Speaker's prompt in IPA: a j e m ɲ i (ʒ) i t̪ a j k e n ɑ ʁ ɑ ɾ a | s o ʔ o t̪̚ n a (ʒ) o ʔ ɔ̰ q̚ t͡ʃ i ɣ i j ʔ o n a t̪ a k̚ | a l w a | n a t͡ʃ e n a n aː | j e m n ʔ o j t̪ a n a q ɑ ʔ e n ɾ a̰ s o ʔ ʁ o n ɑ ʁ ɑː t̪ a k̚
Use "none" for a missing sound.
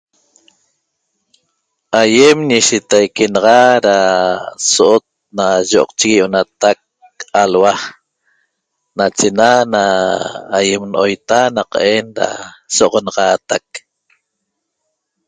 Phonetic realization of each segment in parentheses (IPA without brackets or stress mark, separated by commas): ʃ, ʒ